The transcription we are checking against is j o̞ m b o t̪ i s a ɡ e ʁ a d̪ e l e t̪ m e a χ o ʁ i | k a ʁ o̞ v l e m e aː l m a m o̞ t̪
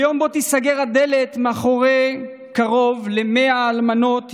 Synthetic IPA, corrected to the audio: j o̞ m b o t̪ i s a ɡ e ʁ a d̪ e l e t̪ m e a χ o ʁ e | k a ʁ o̞ v l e m e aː l m a n o̞ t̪